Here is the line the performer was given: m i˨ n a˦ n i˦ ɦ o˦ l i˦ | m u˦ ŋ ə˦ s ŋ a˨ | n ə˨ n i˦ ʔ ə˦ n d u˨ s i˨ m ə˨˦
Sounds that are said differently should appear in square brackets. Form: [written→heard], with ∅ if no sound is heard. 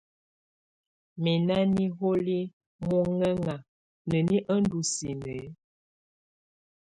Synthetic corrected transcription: m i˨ n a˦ n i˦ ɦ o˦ l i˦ | m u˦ ŋ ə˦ [s→∅] ŋ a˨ | n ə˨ n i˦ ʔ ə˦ n d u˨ s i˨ [m→n] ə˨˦